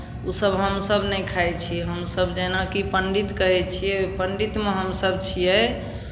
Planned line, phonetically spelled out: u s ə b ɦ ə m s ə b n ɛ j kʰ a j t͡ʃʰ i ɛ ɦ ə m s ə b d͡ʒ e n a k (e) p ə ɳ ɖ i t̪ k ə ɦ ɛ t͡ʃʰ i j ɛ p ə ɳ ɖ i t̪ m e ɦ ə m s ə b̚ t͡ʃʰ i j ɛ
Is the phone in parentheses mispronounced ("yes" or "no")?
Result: yes